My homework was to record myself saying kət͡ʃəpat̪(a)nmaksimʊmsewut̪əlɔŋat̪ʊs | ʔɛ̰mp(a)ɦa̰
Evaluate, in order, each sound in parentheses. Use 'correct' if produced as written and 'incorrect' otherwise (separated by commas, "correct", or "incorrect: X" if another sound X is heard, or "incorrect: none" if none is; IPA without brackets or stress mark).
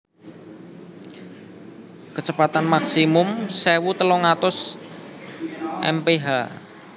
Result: correct, incorrect: e